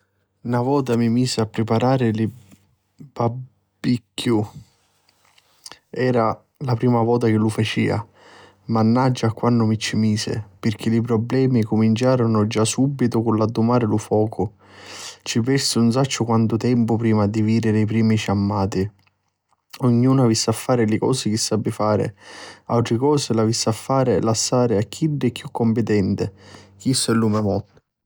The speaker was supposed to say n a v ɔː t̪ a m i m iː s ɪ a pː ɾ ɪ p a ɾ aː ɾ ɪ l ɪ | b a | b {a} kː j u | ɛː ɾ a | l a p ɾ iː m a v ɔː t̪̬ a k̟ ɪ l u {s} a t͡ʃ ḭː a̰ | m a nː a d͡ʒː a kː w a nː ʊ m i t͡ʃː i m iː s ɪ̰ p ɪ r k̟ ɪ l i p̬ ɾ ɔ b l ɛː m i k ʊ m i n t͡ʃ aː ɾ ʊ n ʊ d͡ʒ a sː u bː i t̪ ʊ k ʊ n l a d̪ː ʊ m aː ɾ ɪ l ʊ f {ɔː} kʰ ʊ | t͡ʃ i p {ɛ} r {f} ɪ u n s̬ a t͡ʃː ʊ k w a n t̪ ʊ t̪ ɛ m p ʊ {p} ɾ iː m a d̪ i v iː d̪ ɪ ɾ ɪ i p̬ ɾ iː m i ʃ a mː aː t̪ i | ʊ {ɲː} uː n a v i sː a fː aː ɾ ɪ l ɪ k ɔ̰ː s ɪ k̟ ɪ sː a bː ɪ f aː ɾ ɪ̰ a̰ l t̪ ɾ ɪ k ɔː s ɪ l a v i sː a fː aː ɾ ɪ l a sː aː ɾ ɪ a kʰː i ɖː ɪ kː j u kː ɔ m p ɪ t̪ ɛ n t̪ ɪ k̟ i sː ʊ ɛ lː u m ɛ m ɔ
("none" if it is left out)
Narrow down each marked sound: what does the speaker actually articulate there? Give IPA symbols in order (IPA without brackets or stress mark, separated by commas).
i, f, ɔː, ɛ, s, p, ɲː